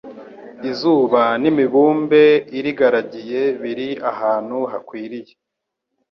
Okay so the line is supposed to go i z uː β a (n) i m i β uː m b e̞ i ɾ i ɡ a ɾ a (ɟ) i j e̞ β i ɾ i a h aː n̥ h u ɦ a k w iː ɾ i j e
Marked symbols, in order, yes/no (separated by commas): yes, yes